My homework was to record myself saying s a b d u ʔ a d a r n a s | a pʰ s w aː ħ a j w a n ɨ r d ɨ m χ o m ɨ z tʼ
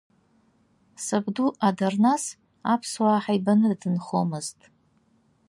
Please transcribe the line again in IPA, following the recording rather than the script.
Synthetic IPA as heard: s a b d u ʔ a d a r n a s | a pʰ s w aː ħ a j b a n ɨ r d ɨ n χ o m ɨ z tʼ